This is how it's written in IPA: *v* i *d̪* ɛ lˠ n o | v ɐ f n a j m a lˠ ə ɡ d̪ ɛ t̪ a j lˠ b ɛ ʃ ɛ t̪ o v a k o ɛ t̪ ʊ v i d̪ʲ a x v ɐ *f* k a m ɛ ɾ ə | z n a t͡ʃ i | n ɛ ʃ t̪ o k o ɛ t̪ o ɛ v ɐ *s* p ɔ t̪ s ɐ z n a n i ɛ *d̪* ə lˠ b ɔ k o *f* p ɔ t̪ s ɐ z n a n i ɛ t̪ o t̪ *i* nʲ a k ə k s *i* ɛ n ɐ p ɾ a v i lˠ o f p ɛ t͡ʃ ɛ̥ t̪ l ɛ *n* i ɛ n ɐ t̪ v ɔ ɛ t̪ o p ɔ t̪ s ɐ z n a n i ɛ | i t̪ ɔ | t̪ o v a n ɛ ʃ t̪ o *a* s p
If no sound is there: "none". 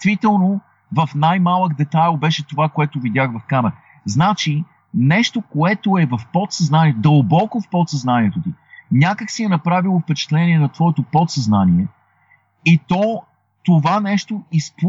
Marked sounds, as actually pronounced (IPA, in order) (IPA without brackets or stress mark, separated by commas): v, t̪, f, f, d̪, f, i, i, n, i